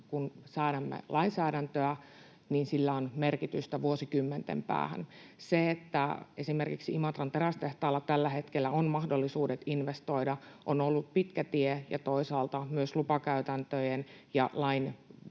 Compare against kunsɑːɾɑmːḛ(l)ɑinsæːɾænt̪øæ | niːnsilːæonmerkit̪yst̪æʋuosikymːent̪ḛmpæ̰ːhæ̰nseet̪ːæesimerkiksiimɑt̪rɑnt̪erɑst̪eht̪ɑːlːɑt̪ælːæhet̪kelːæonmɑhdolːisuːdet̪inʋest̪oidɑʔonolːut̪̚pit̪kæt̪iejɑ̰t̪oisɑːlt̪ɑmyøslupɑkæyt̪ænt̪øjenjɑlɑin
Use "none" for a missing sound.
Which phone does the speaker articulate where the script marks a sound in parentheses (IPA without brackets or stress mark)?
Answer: l